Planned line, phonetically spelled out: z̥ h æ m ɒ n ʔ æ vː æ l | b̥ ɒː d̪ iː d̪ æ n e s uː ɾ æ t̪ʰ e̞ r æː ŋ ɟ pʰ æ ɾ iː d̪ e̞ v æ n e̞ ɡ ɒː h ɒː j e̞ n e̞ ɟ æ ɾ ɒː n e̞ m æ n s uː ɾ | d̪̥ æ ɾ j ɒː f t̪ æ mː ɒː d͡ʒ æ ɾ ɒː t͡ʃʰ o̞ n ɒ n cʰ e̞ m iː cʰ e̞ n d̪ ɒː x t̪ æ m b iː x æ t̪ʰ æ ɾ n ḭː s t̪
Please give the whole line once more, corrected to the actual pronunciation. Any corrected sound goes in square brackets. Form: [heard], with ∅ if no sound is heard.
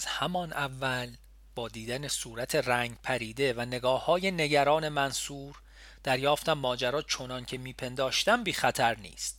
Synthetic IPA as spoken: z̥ h æ m ɒ n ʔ æ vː æ l | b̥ ɒː d̪ iː d̪ æ n e s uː ɾ æ t̪ʰ e̞ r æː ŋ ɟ pʰ æ ɾ iː d̪ e̞ v æ n e̞ ɡ ɒː h ɒː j e̞ n e̞ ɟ æ ɾ ɒː n e̞ m æ n s uː ɾ | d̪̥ æ ɾ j ɒː f t̪ æ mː ɒː d͡ʒ æ ɾ ɒː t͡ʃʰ o̞ n ɒ n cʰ e̞ m iː [pʰ] e̞ n d̪ ɒː [ʃ] t̪ æ m b iː x æ t̪ʰ æ ɾ n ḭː s t̪